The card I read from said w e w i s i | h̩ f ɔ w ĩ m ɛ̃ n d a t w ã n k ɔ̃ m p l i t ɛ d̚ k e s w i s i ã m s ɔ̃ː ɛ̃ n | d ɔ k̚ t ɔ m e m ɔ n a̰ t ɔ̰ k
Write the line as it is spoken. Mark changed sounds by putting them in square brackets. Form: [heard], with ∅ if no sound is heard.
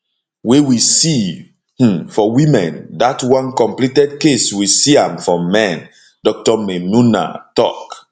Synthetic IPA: w e w i s i | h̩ f ɔ w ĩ m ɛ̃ n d a t w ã n k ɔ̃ m p l i t ɛ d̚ k e s w i s i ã m [f] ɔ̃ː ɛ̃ n | d ɔ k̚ t ɔ m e m [u] n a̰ t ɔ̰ k